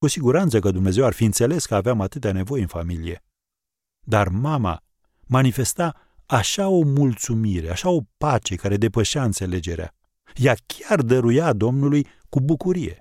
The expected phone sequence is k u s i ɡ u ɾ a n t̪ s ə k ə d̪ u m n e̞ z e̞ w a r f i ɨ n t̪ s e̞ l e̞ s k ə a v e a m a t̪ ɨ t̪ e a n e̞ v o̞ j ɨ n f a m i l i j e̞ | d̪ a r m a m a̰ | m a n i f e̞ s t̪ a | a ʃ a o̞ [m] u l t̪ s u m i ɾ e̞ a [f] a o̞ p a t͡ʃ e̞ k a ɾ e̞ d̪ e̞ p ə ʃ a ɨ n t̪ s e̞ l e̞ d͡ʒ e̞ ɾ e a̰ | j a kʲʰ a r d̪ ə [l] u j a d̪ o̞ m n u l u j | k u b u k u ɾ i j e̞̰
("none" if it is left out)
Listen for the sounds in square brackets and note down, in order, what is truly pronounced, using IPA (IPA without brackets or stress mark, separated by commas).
m, ʃ, ɾ